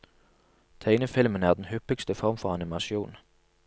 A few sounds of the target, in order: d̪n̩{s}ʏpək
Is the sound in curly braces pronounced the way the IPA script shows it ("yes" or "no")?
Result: no